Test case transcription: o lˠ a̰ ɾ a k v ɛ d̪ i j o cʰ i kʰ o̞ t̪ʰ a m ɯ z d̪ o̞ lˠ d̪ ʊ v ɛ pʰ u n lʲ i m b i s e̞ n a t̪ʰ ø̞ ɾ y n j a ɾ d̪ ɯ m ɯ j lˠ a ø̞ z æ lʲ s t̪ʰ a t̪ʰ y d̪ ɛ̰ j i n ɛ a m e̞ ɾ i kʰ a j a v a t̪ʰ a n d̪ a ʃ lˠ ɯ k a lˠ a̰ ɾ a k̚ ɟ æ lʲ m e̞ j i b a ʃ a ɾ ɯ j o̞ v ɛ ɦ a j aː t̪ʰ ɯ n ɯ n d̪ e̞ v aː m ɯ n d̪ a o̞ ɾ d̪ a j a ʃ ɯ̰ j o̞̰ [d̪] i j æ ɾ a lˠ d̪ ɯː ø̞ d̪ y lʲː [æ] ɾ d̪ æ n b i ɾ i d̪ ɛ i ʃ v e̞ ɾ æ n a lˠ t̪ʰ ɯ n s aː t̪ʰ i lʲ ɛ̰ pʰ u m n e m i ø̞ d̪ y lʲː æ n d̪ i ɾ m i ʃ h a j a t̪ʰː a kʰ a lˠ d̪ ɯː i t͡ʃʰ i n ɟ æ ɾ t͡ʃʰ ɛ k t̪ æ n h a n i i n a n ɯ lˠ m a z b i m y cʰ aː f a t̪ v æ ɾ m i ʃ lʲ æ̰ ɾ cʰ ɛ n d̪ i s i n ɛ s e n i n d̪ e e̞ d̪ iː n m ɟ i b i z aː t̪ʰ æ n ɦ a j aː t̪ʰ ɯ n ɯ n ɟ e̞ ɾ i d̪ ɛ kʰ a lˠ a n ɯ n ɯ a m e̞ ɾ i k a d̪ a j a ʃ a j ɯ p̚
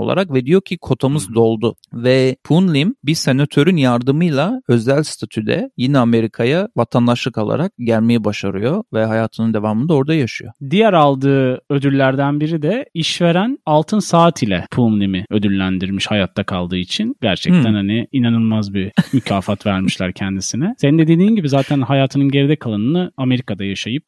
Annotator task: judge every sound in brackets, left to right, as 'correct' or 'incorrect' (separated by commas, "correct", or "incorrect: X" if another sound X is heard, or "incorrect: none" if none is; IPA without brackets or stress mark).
correct, correct